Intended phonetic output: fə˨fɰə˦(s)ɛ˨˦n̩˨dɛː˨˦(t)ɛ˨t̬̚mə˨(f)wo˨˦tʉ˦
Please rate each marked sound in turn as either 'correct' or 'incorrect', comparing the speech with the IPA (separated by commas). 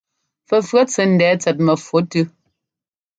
incorrect, incorrect, correct